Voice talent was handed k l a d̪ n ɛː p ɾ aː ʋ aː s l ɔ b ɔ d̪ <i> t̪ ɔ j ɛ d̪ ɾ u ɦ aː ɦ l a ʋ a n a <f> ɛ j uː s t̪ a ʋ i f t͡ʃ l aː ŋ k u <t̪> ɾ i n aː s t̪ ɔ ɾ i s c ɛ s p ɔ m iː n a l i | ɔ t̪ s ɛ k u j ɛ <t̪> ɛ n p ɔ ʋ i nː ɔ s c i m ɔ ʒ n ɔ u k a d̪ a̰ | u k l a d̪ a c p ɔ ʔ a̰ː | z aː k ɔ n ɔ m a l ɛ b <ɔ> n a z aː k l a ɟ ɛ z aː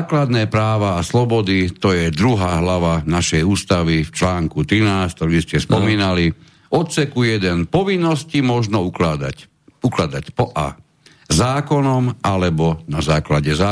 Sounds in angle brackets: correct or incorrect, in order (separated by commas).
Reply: correct, incorrect, correct, incorrect, correct